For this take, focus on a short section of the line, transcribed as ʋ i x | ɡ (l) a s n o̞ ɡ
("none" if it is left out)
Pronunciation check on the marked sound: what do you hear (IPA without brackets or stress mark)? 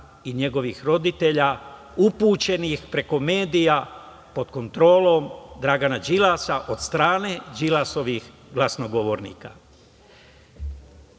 l